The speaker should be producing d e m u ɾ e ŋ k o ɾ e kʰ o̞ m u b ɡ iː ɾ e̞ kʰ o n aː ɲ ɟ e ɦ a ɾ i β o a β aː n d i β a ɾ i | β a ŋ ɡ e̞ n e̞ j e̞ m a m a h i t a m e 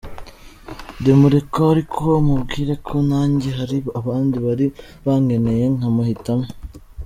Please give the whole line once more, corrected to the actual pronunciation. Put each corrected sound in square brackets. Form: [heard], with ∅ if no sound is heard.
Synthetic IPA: d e m u ɾ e [∅] k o ɾ [i] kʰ o̞ m u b ɡ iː ɾ e̞ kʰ o n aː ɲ ɟ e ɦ a ɾ i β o a β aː n d i β a ɾ i | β a ŋ ɡ e̞ n e̞ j e̞ [ŋ] a m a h i t a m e

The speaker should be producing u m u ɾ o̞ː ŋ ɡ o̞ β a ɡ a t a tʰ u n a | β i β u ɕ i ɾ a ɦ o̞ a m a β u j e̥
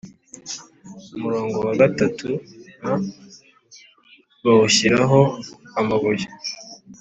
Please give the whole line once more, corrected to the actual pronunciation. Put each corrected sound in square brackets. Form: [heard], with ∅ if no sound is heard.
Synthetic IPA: u m u ɾ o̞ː ŋ ɡ o̞ [w] a ɡ a t a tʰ u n a | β [a] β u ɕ i ɾ a ɦ o̞ a m a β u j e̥

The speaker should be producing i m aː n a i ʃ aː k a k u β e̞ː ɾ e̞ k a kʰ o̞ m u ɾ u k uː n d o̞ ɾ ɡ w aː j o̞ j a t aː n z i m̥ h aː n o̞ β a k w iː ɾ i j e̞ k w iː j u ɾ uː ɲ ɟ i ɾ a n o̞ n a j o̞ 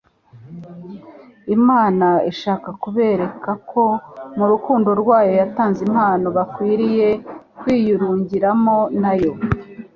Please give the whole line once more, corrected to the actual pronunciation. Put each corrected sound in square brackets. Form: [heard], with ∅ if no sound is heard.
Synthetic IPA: i m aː n a i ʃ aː k a k u β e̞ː ɾ e̞ k a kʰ o̞ m u ɾ u k uː n d o̞ ɾ ɡ w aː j o̞ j a t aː n z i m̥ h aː n o̞ β a k w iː ɾ i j e̞ k w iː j u ɾ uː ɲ ɟ i ɾ a [m] o̞ n a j o̞

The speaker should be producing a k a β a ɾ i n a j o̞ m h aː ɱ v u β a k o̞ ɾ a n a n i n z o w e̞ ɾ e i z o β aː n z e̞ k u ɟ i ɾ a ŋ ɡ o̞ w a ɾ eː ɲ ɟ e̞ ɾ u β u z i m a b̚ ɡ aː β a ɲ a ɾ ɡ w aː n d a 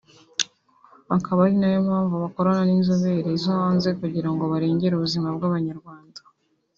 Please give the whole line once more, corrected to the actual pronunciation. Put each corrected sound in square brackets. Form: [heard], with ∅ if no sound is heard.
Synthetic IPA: a k a β a ɾ i n a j o̞ m h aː ɱ v u β a k o̞ ɾ a n a n i n z o [β] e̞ ɾ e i z o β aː n z e̞ k u ɟ i ɾ a ŋ ɡ o̞ [β] a ɾ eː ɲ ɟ e̞ ɾ u β u z i m a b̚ ɡ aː β a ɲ a ɾ ɡ w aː n d a

